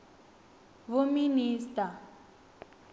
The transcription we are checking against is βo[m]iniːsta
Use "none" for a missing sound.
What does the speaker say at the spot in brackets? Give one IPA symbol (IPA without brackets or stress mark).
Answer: m